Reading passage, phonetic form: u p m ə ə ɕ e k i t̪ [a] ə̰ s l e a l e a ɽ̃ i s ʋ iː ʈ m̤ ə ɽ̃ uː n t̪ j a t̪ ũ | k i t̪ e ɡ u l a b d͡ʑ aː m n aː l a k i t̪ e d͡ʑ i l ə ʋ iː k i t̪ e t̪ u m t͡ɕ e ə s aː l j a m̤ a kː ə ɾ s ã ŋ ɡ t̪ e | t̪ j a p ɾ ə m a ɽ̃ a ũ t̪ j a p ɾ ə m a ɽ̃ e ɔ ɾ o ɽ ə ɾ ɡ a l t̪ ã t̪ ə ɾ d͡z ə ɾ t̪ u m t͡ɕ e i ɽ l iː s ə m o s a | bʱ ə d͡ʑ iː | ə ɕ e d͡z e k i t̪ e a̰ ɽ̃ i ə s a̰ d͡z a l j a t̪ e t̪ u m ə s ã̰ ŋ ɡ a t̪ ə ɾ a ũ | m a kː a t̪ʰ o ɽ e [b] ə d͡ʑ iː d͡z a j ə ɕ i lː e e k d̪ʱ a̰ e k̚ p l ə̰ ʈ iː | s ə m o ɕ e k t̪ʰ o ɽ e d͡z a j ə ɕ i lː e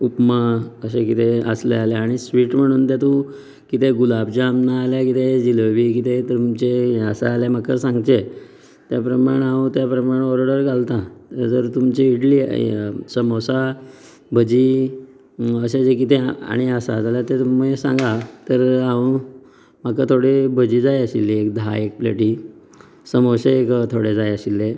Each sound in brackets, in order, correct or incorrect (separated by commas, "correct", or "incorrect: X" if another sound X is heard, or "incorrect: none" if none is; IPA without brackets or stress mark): incorrect: e, correct